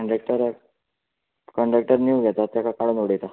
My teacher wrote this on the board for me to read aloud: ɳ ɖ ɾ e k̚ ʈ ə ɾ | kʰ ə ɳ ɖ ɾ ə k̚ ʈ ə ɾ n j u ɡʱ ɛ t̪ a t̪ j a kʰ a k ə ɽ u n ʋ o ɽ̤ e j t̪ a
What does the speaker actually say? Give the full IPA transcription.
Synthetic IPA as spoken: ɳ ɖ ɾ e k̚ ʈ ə ɾ | k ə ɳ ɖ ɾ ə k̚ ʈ ə ɾ n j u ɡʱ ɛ t̪ a t̪ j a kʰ a k a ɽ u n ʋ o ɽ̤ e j t̪ a